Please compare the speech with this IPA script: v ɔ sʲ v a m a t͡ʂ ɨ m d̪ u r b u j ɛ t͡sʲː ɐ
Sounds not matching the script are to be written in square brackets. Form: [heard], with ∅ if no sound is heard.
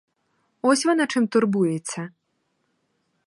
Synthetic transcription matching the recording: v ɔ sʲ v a [n] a t͡ʂ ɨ m [t̪] u r b u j ɛ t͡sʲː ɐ